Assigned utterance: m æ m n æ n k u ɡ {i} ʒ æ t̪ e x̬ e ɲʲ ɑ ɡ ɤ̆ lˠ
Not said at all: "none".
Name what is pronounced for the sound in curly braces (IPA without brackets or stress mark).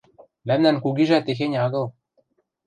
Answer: i